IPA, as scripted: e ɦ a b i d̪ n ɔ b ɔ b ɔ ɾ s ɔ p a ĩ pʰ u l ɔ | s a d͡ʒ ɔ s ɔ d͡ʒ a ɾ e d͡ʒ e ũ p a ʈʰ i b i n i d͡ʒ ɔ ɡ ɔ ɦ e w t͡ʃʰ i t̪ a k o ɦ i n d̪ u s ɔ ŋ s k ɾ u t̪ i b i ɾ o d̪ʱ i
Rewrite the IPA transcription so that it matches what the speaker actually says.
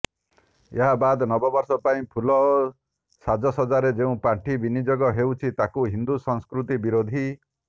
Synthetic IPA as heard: e ɦ a b a d̪ n ɔ b ɔ b ɔ ɾ s ɔ p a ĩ pʰ u l ɔ | s a d͡ʒ ɔ s ɔ d͡ʒ a ɾ e d͡ʒ e ũ p a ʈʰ i b i n i d͡ʒ ɔ ɡ ɔ ɦ e w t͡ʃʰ i t̪ a k u ɦ i n d̪ u s ɔ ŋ s k ɾ u t̪ i b i ɾ o d̪ʱ i